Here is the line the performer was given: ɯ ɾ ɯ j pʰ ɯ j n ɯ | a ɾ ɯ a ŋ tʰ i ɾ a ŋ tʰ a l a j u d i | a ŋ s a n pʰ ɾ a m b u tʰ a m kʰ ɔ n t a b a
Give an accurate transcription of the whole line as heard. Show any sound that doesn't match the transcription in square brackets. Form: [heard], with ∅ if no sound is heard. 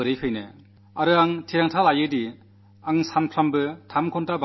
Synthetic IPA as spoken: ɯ ɾ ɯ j pʰ ɯ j n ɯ | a ɾ ɯ a ŋ tʰ i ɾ a ŋ tʰ a l a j [ɯ] d i | a ŋ s a n pʰ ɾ a m b [ɯ] tʰ a m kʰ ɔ n t a b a